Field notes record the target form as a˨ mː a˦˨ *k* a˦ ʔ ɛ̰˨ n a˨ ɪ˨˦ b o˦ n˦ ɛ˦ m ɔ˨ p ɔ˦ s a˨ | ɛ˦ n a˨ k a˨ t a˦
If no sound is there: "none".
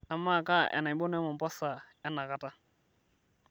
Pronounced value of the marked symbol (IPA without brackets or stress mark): k